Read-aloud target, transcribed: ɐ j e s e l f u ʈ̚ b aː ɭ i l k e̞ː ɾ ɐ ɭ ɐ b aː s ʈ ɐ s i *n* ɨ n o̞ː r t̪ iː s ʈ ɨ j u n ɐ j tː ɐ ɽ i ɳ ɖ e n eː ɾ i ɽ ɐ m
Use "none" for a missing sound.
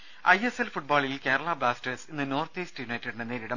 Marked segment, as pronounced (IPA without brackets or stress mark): nː